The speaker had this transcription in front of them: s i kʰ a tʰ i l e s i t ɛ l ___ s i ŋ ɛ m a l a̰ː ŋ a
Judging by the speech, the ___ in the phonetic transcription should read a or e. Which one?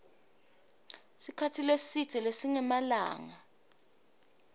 e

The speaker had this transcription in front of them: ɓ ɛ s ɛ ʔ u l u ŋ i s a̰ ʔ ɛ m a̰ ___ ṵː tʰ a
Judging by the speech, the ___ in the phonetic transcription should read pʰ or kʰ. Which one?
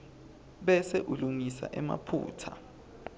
pʰ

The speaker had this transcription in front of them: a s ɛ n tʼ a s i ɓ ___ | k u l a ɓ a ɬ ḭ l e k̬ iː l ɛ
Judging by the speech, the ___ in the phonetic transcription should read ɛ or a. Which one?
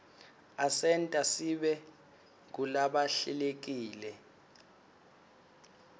ɛ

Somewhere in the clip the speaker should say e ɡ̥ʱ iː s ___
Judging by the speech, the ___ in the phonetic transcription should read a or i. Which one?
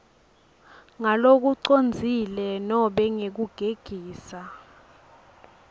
a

